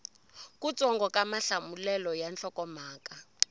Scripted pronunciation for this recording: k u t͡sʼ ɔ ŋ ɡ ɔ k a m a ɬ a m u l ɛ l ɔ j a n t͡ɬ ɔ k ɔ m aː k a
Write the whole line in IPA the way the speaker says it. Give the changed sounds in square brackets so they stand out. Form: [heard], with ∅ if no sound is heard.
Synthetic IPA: k u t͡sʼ ɔ ŋ ɡ ɔ k a m a ɬ a m u l ɛ l ɔ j a n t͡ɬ ɔ k ɔ m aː k a